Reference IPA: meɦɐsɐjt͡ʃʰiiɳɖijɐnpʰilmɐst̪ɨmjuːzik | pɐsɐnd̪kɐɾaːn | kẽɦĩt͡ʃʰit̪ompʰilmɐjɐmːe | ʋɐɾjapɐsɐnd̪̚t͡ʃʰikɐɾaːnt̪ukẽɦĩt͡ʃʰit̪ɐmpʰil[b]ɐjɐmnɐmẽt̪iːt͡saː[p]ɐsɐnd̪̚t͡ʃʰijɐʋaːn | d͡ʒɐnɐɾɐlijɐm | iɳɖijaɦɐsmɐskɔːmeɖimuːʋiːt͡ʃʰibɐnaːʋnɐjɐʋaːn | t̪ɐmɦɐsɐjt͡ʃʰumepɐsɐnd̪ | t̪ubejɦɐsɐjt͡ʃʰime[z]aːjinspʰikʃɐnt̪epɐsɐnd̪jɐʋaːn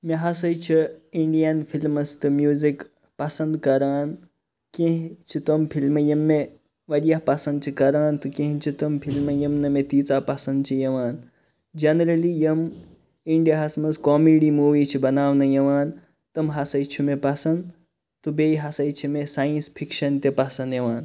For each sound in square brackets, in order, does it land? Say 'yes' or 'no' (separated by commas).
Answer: no, yes, no